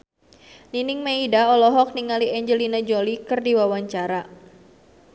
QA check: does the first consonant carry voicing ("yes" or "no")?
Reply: yes